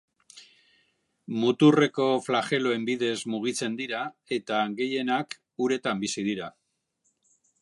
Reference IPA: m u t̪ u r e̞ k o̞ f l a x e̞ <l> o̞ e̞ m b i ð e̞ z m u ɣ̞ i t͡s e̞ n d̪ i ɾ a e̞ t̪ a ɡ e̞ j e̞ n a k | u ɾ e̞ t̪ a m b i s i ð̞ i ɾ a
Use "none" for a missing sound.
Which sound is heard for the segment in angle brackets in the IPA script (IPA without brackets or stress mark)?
l